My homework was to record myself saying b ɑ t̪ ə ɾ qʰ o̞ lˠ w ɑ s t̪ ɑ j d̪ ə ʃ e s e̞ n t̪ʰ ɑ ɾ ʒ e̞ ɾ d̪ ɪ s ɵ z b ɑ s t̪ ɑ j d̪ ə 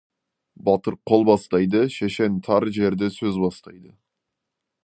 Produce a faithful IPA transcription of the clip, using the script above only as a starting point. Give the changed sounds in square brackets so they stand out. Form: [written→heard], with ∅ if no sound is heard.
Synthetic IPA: b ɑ t̪ ə ɾ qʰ o̞ lˠ [w→b] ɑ s t̪ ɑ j d̪ ə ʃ e [s→ʃ] e̞ n t̪ʰ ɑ ɾ ʒ e̞ ɾ d̪ ɪ s ɵ z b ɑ s t̪ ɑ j d̪ ə